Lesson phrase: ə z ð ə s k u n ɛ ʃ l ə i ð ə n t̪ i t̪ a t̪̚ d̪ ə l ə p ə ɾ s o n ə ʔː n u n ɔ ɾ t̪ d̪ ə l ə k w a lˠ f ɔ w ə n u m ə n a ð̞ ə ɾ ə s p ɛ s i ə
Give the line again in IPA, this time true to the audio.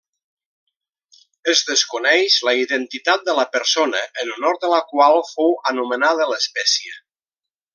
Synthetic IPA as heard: ə z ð ə s k u n ɛ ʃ l ə i ð ə n t̪ i t̪ a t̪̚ d̪ ə l ə p ə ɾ s o n ə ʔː n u n ɔ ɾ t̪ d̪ ə l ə k w a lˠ f o w ə n u m ə n a ð̞ ə l ə s p ɛ s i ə